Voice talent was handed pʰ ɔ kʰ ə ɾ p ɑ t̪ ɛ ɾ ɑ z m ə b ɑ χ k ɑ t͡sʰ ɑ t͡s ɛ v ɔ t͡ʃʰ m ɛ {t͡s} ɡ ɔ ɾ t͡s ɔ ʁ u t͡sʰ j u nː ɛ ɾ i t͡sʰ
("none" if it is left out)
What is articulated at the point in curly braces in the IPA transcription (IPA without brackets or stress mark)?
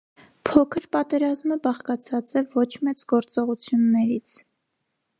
t͡s